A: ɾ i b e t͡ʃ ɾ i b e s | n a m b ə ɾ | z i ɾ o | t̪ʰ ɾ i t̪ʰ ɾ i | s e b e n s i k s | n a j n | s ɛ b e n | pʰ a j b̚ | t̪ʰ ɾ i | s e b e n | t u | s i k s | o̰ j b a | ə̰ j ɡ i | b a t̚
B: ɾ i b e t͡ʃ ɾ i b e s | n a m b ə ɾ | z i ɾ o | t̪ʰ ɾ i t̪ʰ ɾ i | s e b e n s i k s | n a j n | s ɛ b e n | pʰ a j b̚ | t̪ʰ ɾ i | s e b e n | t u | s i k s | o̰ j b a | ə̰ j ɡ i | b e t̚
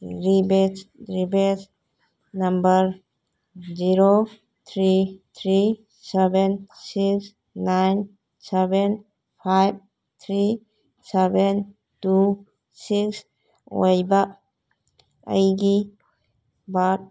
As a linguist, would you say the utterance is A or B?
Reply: A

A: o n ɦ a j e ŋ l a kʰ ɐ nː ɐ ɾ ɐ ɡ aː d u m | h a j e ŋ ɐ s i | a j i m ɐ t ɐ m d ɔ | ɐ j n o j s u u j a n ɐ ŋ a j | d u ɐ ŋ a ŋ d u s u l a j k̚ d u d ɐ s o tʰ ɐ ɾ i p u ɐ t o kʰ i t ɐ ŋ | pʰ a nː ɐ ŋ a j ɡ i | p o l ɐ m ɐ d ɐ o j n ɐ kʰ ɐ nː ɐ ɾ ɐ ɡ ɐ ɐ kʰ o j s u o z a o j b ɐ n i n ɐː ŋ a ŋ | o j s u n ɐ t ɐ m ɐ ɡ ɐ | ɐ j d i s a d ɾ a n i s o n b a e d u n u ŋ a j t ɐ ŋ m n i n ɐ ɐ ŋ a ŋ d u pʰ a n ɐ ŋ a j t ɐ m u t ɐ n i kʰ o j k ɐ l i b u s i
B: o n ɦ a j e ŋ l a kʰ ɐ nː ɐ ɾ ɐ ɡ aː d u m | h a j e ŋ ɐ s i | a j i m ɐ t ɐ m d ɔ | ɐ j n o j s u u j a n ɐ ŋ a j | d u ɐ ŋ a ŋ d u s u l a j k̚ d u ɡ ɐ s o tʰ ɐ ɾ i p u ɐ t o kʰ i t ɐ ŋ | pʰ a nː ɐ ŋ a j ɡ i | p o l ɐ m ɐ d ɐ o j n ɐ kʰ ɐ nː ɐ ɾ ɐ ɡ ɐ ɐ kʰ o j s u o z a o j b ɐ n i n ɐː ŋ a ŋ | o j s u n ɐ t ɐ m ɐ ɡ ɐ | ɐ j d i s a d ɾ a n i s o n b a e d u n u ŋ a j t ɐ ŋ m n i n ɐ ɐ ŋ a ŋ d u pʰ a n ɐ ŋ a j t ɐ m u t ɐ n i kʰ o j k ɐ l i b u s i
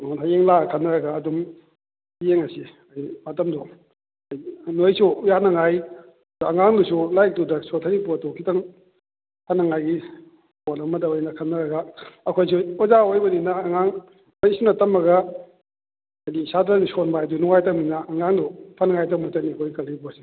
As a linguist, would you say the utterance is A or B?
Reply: A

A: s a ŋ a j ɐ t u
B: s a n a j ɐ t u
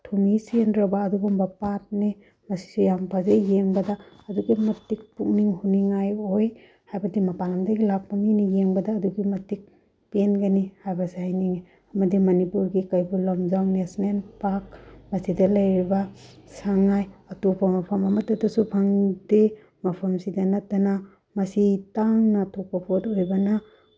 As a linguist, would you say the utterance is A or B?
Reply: A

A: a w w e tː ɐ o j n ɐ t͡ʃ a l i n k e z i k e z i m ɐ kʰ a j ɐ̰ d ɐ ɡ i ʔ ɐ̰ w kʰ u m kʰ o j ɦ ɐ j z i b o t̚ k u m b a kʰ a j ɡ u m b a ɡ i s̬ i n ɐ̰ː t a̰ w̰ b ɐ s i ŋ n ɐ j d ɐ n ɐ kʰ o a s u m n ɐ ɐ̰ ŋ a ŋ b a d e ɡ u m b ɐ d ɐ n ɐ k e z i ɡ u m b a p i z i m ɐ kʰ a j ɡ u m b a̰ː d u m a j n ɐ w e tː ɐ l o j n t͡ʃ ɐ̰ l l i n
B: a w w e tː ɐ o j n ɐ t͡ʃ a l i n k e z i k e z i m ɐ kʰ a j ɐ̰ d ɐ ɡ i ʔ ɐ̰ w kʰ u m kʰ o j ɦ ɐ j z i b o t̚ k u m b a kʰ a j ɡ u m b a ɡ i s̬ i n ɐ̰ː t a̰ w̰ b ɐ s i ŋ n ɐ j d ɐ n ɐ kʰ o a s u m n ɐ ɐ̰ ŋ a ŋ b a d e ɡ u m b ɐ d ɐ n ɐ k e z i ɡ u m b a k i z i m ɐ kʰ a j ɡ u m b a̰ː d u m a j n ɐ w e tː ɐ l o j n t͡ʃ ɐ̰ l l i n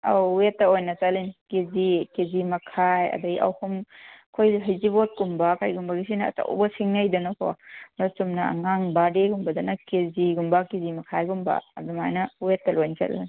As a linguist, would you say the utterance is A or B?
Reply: B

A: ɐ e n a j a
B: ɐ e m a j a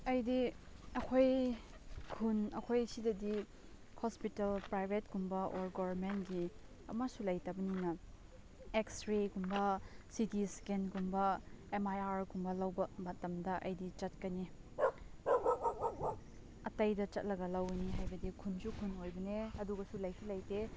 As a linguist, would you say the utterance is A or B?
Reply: B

